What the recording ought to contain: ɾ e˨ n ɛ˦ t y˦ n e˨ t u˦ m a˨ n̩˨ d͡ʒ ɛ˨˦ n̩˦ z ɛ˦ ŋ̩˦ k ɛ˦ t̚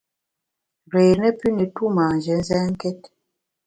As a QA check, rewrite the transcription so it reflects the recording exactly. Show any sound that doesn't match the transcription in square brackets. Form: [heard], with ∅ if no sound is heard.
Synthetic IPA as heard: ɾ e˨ n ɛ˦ [p] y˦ n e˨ t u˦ m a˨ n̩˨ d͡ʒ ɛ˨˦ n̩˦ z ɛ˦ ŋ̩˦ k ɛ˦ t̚